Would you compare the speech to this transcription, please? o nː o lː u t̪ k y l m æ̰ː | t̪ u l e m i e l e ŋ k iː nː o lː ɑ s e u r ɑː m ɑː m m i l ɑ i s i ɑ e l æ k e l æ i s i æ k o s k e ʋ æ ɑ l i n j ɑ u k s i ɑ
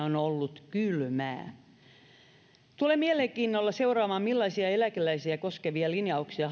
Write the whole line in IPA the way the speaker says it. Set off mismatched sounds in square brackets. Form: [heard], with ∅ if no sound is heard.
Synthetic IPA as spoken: o [n] o lː u t̪ k y l m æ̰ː | t̪ u l e m i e l e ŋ k iː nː o lː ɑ s e u r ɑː m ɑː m m i [lː] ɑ i s i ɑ e l æ k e l æ i s i æ k o s k e ʋ [i] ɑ l i n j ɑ u k s i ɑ